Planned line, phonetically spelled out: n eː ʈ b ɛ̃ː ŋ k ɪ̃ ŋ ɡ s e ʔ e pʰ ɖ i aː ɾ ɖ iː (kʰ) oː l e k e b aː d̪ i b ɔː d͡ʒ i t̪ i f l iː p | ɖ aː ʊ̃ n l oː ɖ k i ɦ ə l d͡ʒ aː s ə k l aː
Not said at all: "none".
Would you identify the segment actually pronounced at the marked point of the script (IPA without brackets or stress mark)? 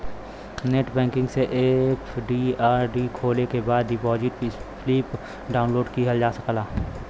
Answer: kʰ